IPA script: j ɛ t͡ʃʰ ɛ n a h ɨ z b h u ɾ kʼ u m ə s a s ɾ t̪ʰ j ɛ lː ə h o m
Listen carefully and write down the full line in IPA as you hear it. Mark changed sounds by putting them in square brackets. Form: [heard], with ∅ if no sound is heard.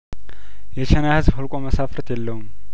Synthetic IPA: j ɛ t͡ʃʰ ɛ n a h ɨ z b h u [l] kʼ [o] m ə s a [f] ɾ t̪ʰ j ɛ lː ə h [u] m

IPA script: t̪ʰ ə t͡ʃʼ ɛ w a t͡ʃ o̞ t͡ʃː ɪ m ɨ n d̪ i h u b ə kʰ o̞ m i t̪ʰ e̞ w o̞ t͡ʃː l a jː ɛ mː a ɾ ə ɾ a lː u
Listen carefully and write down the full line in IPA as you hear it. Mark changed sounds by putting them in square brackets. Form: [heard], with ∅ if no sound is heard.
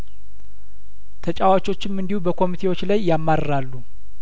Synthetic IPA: t̪ʰ ə t͡ʃʼ [a] w a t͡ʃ o̞ t͡ʃː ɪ m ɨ n d̪ i h u b ə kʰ o̞ m i t̪ʰ e̞ w o̞ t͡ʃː l a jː [a] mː a ɾ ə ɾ a lː u

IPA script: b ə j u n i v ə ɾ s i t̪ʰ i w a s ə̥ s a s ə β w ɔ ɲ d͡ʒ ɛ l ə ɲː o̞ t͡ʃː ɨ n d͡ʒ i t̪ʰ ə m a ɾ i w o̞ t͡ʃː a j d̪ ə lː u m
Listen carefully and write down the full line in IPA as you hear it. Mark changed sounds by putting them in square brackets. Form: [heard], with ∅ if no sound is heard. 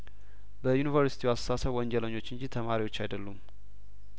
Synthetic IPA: b ə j u n i v ə ɾ s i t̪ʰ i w a s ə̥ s a s ə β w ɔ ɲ d͡ʒ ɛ l ə ɲː o̞ t͡ʃː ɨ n d͡ʒ i t̪ʰ ə m a ɾ i w o̞ t͡ʃː a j d̪ ə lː u m

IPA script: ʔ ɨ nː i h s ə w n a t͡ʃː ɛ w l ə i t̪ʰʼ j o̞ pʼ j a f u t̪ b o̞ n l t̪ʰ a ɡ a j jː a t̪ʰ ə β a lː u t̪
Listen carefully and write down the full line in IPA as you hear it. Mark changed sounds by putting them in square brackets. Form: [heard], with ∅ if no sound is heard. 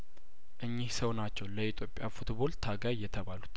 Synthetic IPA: ʔ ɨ [ɲː] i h s ə w n a t͡ʃː ɛ w l ə i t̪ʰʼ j o̞ pʼ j a f u t̪ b o̞ [∅] l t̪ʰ a ɡ a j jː [ɛ] t̪ʰ ə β a [l] u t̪

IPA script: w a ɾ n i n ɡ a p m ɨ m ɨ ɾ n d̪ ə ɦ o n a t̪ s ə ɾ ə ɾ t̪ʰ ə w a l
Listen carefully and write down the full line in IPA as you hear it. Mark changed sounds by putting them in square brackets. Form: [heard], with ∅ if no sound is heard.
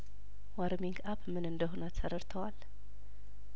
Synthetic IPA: w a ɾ [m] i [ŋ] ɡ a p m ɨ [n] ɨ [∅] n d̪ ə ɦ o n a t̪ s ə ɾ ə ɾ t̪ʰ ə w a l

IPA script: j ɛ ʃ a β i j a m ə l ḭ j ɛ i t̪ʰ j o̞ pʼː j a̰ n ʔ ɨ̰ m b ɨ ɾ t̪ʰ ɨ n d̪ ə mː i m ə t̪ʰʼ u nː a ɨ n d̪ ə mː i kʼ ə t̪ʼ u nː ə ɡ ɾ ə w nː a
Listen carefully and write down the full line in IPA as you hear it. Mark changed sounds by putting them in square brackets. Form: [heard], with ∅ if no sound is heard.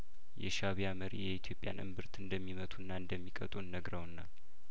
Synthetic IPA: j ɛ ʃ a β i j a m ə [ɾ] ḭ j ɛ i t̪ʰ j o̞ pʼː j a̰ n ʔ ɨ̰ m b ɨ ɾ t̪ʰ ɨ n d̪ ə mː i m ə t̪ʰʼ u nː a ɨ n d̪ ə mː i kʼ ə t̪ʼ u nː ə ɡ ɾ ə w nː a

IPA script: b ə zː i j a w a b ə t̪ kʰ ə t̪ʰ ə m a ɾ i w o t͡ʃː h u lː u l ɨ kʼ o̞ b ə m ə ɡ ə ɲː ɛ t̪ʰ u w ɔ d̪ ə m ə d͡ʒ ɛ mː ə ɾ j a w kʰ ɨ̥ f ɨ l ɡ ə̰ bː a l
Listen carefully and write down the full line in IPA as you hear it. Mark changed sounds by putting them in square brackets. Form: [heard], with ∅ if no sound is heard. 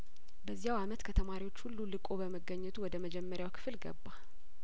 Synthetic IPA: b ə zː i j a w a [m] ə t̪ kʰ ə t̪ʰ ə m a ɾ i w o t͡ʃː h u lː u l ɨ kʼ o̞ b ə m ə ɡ ə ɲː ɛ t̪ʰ u w ɔ d̪ ə m ə d͡ʒ ɛ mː ə ɾ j a w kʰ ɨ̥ f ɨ l ɡ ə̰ bː a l

